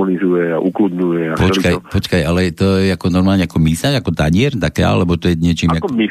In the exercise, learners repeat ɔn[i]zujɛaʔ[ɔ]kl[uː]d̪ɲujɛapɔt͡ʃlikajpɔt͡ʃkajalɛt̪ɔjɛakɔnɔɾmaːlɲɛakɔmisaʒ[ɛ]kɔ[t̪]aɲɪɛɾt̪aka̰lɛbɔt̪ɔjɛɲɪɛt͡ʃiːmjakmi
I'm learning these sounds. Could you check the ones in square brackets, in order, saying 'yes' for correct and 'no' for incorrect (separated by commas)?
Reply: yes, no, no, no, yes